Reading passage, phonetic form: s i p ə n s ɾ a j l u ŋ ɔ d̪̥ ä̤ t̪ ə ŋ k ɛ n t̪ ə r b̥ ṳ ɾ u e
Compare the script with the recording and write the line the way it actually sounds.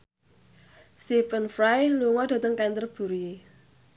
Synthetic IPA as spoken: s i p ə n f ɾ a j l u ŋ ɔ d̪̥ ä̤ t̪ ə ŋ k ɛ n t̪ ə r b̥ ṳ ɾ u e